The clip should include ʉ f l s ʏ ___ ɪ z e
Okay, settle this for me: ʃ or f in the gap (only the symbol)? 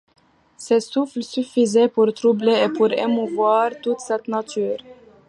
f